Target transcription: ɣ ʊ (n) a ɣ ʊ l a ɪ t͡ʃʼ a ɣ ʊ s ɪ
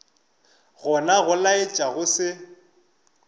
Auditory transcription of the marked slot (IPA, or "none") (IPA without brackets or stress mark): n